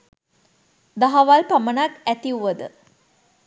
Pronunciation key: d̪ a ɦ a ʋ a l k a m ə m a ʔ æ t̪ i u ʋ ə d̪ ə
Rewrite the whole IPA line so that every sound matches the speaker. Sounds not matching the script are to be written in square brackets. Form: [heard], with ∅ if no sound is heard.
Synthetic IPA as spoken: d̪ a ɦ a ʋ a l [p] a m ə [n] a [k] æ t̪ i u ʋ ə d̪ ə